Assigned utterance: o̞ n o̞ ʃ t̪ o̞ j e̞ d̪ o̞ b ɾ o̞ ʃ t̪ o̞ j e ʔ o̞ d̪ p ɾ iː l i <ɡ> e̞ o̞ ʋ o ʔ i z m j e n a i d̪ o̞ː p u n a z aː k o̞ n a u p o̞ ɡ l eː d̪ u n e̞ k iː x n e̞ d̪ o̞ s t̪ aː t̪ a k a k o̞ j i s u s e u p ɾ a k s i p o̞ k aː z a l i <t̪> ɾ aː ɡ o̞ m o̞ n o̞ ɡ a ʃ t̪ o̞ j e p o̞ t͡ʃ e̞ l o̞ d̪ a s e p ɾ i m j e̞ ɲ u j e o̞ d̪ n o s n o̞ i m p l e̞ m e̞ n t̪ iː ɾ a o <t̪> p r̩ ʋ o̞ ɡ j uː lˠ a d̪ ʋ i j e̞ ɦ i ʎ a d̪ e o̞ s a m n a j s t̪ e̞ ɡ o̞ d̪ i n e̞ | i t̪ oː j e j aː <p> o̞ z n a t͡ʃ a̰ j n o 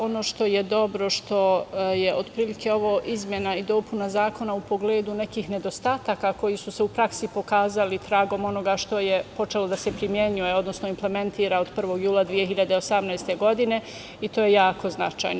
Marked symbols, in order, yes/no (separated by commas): no, yes, no, no